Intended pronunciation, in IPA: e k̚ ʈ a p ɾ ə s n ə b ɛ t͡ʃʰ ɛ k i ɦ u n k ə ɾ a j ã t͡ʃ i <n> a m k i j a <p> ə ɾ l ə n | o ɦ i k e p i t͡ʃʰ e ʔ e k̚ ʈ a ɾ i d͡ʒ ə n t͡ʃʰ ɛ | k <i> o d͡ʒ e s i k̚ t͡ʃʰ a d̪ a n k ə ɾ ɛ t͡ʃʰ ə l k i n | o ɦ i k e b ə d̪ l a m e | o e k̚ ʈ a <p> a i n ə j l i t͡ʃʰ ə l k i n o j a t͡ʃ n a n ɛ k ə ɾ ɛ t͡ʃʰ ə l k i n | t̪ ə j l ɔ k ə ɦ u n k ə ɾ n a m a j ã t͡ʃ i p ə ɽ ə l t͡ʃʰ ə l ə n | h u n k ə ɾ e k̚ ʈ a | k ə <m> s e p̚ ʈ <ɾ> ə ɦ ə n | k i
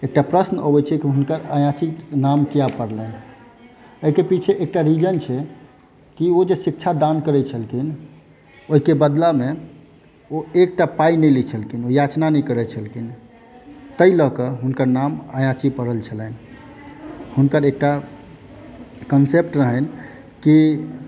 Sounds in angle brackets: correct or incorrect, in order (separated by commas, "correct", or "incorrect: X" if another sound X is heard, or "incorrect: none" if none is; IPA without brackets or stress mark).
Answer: correct, correct, correct, correct, incorrect: n, correct